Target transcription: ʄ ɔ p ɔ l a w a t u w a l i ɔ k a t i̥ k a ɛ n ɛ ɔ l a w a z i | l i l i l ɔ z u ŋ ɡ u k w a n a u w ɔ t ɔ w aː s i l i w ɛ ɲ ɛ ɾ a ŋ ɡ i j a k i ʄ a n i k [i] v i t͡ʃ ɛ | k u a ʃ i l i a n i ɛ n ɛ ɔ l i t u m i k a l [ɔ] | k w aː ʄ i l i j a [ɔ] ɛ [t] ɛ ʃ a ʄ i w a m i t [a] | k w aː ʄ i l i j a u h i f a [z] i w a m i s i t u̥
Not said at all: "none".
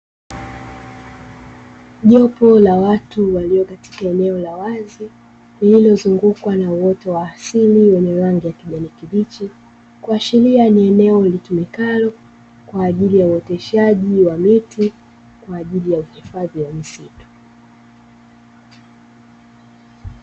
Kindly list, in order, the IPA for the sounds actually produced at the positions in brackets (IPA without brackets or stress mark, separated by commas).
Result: i, ɔ, u, t, i, ð